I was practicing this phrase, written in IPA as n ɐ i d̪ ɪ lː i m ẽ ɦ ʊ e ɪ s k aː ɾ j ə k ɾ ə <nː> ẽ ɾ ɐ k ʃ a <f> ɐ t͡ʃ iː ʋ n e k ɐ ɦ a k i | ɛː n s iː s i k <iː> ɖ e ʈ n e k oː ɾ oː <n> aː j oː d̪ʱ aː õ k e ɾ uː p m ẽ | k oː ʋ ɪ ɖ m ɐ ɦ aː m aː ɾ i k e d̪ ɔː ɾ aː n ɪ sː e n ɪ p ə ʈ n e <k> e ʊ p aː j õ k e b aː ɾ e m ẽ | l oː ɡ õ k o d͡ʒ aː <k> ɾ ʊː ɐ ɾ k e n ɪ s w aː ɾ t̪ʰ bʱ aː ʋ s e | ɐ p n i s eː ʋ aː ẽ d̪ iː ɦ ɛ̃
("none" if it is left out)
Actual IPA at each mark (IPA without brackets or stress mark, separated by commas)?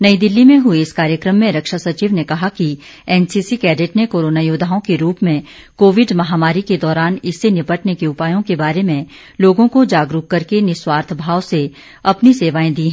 mː, s, ɛː, n, k, ɡ